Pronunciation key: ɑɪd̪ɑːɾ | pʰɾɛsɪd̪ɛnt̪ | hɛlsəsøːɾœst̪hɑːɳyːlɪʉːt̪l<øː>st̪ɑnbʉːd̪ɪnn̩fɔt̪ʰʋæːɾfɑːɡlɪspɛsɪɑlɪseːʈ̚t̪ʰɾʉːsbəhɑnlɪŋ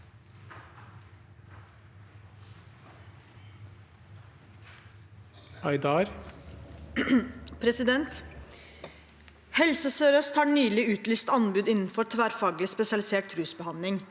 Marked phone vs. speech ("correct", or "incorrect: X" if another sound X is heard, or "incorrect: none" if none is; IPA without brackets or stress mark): incorrect: yː